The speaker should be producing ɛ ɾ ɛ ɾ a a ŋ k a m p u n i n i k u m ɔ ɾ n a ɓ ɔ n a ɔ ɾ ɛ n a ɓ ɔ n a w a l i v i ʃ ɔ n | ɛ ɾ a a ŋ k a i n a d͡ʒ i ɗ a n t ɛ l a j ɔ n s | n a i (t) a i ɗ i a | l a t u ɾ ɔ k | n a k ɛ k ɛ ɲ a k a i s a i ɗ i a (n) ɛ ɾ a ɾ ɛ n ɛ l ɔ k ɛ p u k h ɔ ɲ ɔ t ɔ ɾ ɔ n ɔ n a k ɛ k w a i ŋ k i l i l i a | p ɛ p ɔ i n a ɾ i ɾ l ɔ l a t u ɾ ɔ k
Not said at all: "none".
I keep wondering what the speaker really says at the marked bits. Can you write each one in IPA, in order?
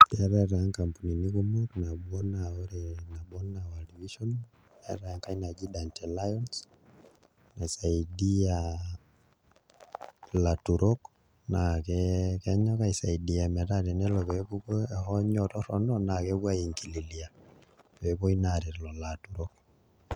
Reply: s, m

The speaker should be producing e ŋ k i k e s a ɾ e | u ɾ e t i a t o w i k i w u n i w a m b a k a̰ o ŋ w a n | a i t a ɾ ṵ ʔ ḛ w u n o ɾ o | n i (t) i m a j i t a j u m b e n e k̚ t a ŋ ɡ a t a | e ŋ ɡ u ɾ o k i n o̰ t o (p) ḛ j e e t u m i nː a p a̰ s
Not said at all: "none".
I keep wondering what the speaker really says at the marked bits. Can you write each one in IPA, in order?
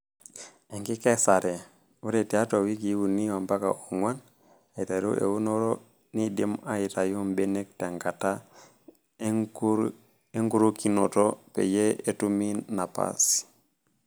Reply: d, p

